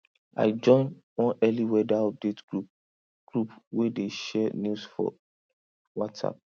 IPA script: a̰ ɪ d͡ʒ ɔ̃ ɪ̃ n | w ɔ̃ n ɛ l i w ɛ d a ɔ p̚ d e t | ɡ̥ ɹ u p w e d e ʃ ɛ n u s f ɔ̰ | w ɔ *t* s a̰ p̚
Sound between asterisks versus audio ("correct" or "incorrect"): correct